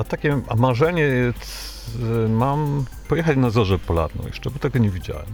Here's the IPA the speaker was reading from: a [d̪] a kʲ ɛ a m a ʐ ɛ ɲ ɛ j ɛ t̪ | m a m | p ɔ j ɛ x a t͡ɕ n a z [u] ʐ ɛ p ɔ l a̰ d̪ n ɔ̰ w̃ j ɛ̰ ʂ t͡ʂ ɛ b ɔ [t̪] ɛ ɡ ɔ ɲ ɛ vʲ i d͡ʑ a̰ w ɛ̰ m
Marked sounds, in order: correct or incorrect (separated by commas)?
incorrect, incorrect, correct